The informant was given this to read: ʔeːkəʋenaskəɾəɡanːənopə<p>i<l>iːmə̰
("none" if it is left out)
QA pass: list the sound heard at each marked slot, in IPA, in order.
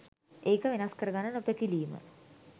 k, l

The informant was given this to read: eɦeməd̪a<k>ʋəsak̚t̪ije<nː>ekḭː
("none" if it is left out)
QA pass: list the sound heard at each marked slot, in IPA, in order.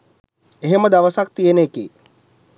none, n

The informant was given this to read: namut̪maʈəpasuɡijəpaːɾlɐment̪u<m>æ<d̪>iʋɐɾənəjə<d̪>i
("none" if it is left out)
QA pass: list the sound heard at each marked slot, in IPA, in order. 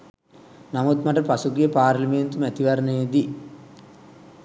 m, t̪, d̪

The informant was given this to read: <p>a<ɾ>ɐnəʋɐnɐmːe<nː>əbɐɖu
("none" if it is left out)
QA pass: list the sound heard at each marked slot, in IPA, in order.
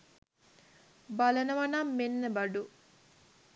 b, l, nː

